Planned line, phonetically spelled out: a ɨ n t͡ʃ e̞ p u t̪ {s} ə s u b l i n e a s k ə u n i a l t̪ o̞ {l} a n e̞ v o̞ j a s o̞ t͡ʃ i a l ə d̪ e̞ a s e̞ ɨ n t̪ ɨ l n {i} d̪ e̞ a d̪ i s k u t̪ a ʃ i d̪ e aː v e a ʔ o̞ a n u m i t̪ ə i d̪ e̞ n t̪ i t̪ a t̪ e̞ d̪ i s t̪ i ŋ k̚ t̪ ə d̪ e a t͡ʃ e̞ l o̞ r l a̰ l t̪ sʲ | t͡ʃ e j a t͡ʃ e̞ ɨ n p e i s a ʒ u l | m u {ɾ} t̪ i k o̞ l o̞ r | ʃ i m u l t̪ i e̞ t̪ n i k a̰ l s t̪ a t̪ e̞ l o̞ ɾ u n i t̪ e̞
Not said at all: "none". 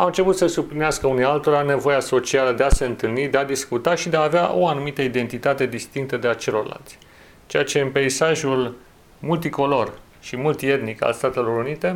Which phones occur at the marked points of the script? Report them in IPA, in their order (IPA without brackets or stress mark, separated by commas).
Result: s, ɾ, i, l